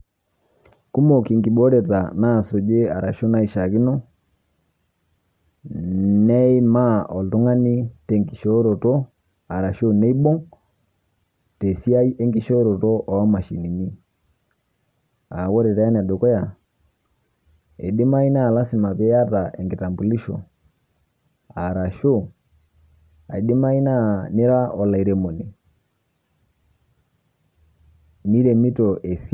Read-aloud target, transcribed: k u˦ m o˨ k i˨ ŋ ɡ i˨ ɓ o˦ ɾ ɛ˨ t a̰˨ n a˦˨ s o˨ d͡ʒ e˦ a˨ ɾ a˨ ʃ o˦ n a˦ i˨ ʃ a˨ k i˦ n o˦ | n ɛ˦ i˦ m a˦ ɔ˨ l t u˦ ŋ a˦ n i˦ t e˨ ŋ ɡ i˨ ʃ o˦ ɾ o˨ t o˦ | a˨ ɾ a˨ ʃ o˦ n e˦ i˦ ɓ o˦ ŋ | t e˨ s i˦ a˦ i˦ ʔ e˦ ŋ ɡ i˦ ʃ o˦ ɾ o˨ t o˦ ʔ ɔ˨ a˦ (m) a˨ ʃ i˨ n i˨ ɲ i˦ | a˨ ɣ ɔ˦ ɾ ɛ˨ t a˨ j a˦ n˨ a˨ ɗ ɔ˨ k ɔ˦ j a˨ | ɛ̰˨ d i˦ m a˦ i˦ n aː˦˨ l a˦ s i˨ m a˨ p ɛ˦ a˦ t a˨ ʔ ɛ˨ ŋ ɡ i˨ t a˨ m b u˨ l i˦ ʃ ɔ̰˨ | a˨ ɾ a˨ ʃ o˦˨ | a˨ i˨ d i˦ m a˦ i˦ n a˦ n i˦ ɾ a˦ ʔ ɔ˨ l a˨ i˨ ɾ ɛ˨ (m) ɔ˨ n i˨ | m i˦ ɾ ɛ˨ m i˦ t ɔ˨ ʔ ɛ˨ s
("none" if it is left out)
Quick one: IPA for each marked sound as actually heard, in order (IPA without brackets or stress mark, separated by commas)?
m, m